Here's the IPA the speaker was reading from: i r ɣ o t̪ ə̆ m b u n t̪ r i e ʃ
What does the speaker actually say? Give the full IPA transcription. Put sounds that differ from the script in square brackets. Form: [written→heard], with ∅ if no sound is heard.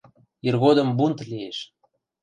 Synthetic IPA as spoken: i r ɣ o [t̪→d̪] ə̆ m b u n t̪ [r→l] i e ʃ